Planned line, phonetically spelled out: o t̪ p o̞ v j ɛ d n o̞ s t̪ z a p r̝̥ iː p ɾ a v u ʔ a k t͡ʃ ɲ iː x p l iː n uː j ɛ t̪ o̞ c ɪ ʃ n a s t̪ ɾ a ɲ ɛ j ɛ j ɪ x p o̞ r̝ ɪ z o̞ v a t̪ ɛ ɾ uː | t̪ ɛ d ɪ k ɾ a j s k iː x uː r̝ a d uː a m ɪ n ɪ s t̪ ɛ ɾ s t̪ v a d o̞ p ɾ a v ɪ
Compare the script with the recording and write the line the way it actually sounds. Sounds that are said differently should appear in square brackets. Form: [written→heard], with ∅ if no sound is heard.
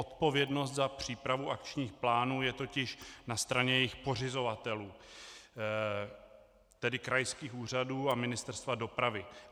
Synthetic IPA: o t̪ p o̞ v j ɛ d n o̞ s t̪ z a p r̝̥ iː p ɾ a v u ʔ a k t͡ʃ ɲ iː x p l [iː→aː] n uː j ɛ t̪ o̞ c ɪ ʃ n a s t̪ ɾ a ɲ ɛ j ɛ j ɪ x p o̞ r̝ ɪ z o̞ v a t̪ ɛ [ɾ→l] uː | t̪ ɛ d ɪ k ɾ a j s k iː x uː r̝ a d uː a m ɪ n ɪ s t̪ ɛ ɾ s t̪ v a d o̞ p ɾ a v ɪ

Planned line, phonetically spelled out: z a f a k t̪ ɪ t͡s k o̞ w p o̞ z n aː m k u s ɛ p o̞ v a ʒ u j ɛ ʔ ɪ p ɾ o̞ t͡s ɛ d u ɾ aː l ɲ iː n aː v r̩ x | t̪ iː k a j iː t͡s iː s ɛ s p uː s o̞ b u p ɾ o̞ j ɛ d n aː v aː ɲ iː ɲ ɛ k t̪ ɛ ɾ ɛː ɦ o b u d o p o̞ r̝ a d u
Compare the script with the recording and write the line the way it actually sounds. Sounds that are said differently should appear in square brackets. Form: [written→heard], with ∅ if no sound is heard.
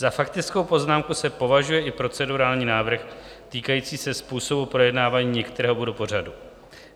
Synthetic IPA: z a f a k t̪ ɪ t͡s k o̞ w p o̞ z n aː m k u s ɛ p o̞ v a ʒ u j ɛ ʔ ɪ p ɾ o̞ t͡s ɛ d u ɾ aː l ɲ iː n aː v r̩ x | t̪ iː k a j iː t͡s iː s ɛ s p uː s o̞ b u p ɾ o̞ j ɛ d n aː v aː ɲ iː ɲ ɛ k t̪ ɛ ɾ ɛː ɦ o b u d o p o̞ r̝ a d u

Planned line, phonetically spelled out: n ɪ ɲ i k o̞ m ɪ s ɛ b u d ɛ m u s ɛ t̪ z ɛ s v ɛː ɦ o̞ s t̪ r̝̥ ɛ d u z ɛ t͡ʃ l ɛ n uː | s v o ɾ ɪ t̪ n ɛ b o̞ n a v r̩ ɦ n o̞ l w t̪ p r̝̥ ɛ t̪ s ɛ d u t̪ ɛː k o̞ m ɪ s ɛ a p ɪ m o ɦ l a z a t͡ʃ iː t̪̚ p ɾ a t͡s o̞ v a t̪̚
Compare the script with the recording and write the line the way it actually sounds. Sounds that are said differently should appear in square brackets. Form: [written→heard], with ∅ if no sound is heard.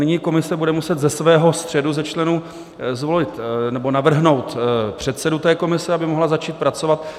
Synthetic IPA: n ɪ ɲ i k o̞ m ɪ s ɛ b u d ɛ m u s ɛ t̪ z ɛ s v ɛː ɦ o̞ s t̪ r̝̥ ɛ d u z ɛ t͡ʃ l ɛ n uː | [s→z] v o [ɾ→l] ɪ t̪ n ɛ b o̞ n a v r̩ ɦ n o̞ [l→∅] w t̪ p r̝̥ ɛ t̪ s ɛ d u t̪ ɛː k o̞ m ɪ s ɛ a [p→b] ɪ m o ɦ l a z a t͡ʃ iː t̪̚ p ɾ a t͡s o̞ v a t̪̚

